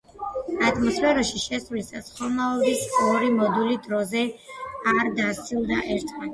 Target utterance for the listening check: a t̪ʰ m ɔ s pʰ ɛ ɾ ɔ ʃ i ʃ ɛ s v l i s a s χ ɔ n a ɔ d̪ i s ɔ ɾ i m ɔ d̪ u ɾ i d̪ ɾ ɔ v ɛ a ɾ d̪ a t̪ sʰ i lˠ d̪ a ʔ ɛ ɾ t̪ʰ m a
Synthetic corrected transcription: a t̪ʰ m ɔ s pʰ ɛ ɾ ɔ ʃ i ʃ ɛ s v l i s a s χ ɔ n a ɔ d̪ i s ɔ ɾ i m ɔ d̪ u l i d̪ ɾ ɔ z ɛ a ɾ d̪ a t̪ sʰ i lˠ d̪ a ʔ ɛ ɾ t̪ʰ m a